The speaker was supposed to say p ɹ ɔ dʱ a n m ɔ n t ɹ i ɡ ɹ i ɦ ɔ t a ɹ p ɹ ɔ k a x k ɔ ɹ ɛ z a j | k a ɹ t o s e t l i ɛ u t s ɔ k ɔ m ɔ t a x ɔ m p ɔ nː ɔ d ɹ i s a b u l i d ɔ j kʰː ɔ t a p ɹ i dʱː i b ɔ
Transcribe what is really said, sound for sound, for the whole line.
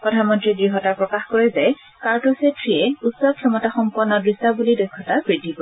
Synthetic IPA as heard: p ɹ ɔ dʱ a n m ɔ n t ɹ i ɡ ɹ i ɦ ɔ t a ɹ p ɹ ɔ k a x k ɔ ɹ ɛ z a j | k a ɹ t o s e t ɹ i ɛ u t s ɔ kʰ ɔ m ɔ t a x ɔ m p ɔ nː ɔ d ɹ i s a b u l i d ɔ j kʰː ɔ t a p ɹ i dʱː i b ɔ